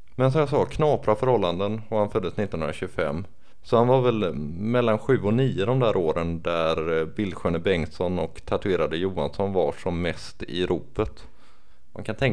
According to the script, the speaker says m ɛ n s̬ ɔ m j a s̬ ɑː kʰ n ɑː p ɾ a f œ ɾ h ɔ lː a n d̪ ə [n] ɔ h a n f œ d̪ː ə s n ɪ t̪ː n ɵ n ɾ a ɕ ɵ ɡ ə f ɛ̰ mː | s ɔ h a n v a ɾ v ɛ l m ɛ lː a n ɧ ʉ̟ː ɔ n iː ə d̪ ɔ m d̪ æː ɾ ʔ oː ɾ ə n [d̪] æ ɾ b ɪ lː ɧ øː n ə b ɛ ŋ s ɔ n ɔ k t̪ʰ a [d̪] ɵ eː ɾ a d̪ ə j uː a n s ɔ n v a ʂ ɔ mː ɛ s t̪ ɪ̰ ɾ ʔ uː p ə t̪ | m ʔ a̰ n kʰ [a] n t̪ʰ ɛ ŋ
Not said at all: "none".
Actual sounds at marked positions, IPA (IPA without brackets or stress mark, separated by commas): n, d̪, t̪, a